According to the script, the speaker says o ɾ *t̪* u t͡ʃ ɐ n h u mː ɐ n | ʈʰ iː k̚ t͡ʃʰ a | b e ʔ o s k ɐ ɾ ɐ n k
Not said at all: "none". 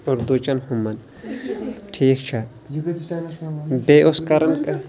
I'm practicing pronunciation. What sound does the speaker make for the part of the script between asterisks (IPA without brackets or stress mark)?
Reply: d̪